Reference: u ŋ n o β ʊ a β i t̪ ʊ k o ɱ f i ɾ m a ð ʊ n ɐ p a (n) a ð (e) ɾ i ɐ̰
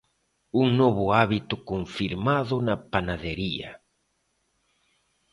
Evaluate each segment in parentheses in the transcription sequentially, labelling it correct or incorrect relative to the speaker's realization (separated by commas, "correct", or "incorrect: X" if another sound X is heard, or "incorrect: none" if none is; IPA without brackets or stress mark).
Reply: correct, correct